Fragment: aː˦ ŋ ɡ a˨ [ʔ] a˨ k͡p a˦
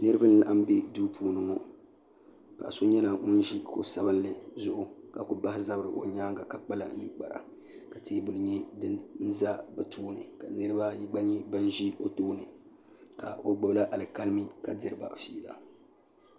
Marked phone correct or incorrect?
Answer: incorrect: k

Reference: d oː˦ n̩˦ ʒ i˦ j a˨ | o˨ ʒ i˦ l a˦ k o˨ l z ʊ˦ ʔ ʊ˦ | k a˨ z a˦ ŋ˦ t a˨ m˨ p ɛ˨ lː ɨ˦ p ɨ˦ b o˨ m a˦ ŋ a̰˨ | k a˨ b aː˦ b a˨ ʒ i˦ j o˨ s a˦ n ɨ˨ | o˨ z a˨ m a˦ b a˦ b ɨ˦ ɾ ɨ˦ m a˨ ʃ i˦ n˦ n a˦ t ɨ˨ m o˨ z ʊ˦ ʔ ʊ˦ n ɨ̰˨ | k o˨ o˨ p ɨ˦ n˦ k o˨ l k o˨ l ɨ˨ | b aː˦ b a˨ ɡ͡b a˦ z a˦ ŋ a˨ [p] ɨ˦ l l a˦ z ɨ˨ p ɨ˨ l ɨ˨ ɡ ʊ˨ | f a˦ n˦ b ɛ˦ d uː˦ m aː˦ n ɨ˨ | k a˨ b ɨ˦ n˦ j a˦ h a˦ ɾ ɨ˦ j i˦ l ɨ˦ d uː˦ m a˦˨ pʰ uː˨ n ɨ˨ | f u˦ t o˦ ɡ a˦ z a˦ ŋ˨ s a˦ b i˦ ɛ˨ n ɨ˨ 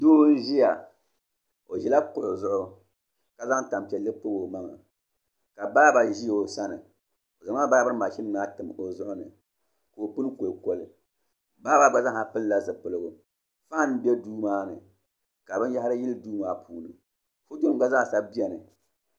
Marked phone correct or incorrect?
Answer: correct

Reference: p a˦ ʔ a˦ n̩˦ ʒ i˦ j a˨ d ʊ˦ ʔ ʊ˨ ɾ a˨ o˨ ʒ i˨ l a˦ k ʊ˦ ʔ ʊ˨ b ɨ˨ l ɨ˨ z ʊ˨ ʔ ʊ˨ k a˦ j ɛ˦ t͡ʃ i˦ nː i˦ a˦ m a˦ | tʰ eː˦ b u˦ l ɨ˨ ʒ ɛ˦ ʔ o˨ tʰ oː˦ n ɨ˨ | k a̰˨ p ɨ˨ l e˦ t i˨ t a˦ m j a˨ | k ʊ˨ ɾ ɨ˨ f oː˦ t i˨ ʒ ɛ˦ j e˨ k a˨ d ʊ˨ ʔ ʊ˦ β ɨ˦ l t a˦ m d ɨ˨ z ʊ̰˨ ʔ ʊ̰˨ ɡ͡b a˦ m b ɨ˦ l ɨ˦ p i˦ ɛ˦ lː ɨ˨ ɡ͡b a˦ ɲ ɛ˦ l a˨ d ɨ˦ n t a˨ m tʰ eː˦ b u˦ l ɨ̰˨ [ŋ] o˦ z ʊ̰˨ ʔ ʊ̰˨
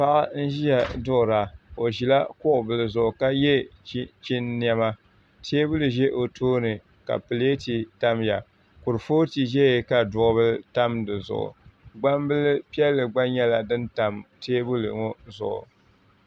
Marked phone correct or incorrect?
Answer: correct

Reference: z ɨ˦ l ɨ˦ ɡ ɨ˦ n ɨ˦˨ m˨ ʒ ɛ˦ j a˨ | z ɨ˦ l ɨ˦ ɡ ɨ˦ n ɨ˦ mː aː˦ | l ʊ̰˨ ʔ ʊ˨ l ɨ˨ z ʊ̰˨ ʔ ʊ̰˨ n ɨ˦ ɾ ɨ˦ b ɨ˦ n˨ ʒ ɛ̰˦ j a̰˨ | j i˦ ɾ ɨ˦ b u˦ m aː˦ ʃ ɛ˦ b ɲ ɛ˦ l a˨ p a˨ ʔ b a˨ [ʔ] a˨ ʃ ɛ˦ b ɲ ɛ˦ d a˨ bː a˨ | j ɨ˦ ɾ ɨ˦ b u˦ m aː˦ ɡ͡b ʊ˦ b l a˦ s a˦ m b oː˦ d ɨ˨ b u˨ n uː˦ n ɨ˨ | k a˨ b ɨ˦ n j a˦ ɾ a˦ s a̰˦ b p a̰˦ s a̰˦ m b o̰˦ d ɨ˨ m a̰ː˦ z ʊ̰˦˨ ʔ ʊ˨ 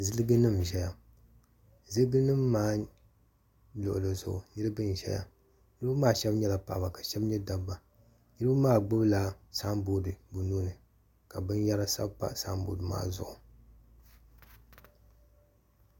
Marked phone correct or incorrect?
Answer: incorrect: k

